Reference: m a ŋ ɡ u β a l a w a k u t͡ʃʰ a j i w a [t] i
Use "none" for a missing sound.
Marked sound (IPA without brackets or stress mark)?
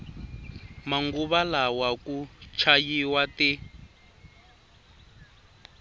t